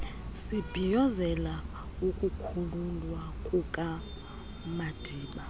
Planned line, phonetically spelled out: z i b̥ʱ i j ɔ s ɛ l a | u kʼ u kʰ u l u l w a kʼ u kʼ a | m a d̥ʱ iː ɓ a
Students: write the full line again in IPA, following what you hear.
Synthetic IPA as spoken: s i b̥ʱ i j ɔ z ɛ l a | u kʼ u kʰ u l u l w a kʼ u kʼ a | m a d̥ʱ iː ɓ a

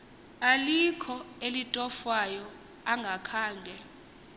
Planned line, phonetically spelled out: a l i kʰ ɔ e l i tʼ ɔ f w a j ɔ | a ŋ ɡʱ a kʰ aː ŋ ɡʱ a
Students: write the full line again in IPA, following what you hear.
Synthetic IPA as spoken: a l i kʰ ɔ e l i tʼ ɔ f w a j ɔ | a ŋ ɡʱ a kʰ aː ŋ ɡʱ ɛ

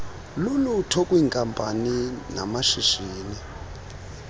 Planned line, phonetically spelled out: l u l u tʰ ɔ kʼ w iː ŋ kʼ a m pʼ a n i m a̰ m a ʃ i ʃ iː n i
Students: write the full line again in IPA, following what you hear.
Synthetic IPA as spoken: l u l u tʰ ɔ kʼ w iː ŋ kʼ a m pʼ a n i n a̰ m a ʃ i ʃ iː n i

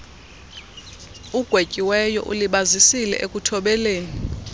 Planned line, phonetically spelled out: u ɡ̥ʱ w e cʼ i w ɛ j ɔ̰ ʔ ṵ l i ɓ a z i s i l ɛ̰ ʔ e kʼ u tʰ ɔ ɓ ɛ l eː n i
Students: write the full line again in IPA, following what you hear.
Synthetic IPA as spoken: u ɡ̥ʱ w e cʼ i w ɛ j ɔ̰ ʔ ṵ l i ɓ a z i s i l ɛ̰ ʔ e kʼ u tʰ ɔ ɓ ɛ l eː n i

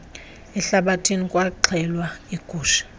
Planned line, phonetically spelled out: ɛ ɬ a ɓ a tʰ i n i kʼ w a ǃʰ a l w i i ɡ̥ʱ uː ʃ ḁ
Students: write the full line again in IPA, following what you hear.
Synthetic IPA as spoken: ɛ ɬ a ɓ a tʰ i n i kʼ w a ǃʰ ɛ l w a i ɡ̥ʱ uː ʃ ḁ

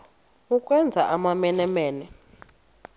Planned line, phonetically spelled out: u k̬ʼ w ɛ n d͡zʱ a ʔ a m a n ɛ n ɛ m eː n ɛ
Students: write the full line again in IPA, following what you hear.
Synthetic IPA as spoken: u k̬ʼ w ɛ n d͡zʱ a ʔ a m a m ɛ n ɛ m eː n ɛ

